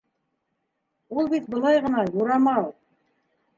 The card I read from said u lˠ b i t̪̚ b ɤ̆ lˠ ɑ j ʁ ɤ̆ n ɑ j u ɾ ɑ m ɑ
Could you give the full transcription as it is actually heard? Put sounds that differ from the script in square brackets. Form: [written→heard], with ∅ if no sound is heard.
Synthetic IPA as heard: u lˠ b i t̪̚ b ɤ̆ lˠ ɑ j ʁ ɤ̆ n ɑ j u ɾ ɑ m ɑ